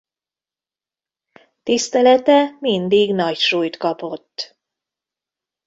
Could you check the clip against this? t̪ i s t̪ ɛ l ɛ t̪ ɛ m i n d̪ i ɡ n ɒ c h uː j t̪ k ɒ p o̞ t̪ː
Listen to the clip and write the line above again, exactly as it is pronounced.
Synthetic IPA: t̪ i s t̪ ɛ l ɛ t̪ ɛ m i n d̪ i ɡ n ɒ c ʃ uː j t̪ k ɒ p o̞ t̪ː